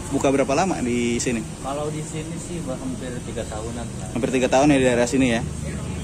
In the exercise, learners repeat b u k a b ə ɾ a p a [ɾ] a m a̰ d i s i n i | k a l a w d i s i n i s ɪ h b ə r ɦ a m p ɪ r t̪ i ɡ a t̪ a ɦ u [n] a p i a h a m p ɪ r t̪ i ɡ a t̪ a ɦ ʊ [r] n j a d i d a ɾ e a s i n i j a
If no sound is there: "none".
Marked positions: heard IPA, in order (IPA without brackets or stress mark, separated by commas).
l, n, none